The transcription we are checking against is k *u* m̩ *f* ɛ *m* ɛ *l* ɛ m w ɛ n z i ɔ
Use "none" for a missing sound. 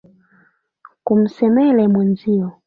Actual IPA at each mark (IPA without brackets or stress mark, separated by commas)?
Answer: u, s, m, l